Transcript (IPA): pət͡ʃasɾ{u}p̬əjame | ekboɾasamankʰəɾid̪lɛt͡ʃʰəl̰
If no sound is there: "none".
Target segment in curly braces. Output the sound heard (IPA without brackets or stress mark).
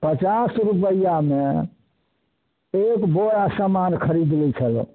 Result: u